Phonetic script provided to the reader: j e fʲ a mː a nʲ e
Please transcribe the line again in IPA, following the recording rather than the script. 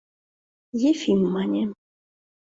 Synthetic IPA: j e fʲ i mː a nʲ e